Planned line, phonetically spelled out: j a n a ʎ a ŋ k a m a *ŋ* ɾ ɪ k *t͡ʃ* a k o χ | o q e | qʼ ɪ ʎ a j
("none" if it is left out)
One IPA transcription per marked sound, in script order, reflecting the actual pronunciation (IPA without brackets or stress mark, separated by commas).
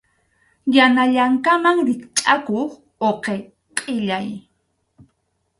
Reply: ŋ, t͡ʃʼ